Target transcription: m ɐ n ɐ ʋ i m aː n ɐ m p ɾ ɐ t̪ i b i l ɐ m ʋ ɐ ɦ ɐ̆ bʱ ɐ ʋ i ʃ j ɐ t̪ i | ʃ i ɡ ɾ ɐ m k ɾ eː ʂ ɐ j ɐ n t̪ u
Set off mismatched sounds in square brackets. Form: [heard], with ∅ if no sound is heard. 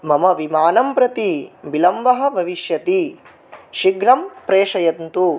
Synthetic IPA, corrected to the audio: m ɐ [m] ɐ ʋ i m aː n ɐ m p ɾ ɐ t̪ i b i l ɐ m ʋ ɐ ɦ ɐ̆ bʱ ɐ ʋ i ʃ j ɐ t̪ i | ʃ i ɡ ɾ ɐ m [p] ɾ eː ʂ ɐ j ɐ n t̪ u